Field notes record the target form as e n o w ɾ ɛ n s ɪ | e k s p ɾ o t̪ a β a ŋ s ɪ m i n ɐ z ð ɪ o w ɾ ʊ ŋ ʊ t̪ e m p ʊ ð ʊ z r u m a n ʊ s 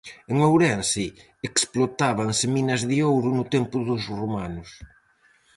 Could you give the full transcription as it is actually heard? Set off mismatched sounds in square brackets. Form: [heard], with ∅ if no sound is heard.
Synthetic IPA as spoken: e [ŋ] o w ɾ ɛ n s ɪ | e k s p [l] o t̪ a β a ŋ s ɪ m i n ɐ z ð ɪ o w ɾ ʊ [n] ʊ t̪ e m p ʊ ð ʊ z r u m a n ʊ s

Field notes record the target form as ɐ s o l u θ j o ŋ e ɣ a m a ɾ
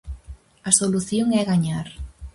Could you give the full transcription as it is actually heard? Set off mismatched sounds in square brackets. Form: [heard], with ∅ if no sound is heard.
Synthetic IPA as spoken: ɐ s o l u θ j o ŋ [ɛ] ɣ a [ɲ] a ɾ

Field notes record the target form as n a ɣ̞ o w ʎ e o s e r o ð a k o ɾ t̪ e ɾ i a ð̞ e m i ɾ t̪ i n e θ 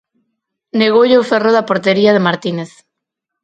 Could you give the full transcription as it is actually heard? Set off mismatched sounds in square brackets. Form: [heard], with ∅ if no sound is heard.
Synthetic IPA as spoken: n [e] ɣ̞ o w ʎ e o [f] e r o ð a [p] o ɾ t̪ e ɾ i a ð̞ e m [a] ɾ t̪ i n e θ

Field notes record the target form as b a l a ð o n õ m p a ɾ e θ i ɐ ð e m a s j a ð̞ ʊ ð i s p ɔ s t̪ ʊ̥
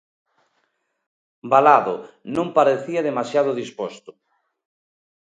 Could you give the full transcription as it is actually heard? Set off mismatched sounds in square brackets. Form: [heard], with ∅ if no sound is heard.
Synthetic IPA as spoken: b a l a ð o n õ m p a ɾ e θ i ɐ ð e m a s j a ð̞ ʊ ð i s p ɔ s t̪ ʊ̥

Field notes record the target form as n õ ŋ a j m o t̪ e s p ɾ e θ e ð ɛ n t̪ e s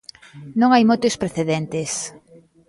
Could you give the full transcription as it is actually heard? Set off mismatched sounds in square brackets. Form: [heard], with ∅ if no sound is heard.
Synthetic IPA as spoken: n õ ŋ a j m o t̪ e s p ɾ e θ e ð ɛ n t̪ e s

